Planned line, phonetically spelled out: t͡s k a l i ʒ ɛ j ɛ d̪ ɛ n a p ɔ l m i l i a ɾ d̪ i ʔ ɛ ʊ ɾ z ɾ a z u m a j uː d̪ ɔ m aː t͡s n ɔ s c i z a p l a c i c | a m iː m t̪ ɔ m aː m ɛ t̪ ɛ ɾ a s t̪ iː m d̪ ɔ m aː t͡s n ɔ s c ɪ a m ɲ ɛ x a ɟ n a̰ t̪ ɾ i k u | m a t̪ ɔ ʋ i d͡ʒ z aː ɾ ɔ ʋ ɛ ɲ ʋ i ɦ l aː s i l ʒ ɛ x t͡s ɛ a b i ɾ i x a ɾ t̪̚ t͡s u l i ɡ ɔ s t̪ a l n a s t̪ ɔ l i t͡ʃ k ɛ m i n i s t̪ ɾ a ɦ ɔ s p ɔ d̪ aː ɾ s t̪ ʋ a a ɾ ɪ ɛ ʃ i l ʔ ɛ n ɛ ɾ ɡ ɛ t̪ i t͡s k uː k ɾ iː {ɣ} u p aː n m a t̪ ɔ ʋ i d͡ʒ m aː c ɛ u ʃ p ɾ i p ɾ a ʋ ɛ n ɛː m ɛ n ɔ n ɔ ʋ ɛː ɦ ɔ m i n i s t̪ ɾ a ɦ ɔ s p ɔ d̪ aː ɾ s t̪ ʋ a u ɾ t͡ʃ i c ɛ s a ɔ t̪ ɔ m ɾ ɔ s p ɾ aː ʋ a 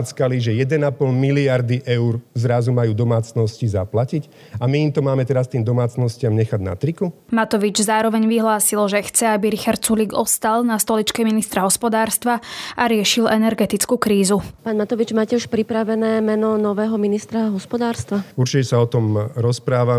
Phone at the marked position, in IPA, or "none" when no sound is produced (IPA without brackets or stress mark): z